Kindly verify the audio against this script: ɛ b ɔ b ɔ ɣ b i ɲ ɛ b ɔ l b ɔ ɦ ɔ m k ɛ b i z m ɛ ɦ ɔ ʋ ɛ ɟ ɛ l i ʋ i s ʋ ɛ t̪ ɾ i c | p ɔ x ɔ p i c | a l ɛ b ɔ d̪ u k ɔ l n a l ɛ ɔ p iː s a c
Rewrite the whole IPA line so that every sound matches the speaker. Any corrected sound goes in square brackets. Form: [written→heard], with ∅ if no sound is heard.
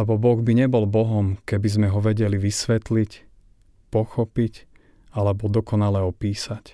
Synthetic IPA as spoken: ɛ b ɔ b ɔ ɣ b i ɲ ɛ b ɔ l b ɔ ɦ ɔ m k ɛ b i z m ɛ ɦ ɔ ʋ ɛ ɟ ɛ l i ʋ i s ʋ ɛ t̪ [ɾ→l] i c | p ɔ x ɔ p i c | a l ɛ b ɔ d̪ [u→ɔ] k ɔ [l→∅] n a l ɛ ɔ p iː s a c